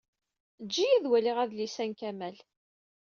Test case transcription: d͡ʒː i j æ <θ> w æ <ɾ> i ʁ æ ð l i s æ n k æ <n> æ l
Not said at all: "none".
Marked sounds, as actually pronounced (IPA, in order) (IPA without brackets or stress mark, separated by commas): ð, l, m